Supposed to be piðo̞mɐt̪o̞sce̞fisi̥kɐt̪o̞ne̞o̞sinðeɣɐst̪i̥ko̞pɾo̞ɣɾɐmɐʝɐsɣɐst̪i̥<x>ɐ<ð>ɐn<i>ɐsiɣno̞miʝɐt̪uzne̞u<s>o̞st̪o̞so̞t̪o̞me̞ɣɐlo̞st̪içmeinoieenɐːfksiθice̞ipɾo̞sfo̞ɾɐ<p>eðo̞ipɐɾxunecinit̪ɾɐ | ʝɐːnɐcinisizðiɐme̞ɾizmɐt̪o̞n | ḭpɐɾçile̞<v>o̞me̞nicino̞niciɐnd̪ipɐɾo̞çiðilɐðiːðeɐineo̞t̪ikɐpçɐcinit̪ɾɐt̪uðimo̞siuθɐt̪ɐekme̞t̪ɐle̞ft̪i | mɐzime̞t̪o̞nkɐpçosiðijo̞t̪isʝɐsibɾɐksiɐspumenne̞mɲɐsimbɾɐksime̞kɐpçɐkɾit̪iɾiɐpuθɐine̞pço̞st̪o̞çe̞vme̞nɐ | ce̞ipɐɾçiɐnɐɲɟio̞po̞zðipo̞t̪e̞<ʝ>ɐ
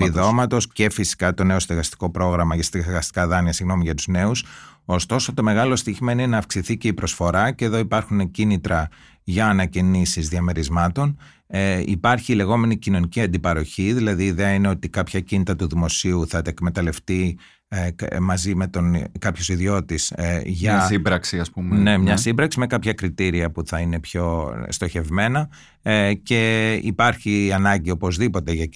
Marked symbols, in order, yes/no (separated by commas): no, yes, yes, yes, no, no, yes